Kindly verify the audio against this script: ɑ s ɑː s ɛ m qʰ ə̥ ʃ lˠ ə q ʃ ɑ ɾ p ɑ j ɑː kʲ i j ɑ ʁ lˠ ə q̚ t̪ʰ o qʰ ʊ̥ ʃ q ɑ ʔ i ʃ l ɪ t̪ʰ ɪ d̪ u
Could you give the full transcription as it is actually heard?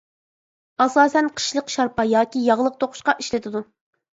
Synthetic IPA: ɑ s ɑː s ɛ n qʰ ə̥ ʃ lˠ ə q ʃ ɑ ɾ p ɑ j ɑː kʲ i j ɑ ʁ lˠ ə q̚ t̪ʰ o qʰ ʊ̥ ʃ q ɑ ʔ i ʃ l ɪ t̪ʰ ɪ d̪ u